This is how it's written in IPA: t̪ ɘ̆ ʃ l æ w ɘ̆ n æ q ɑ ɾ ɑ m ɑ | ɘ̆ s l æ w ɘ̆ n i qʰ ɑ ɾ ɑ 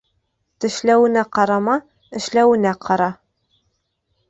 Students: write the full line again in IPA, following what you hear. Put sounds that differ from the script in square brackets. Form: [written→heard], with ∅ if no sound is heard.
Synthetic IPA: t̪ ɘ̆ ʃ l æ w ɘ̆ n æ q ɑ ɾ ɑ m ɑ | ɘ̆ [s→ʃ] l æ w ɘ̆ n [i→æ] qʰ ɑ ɾ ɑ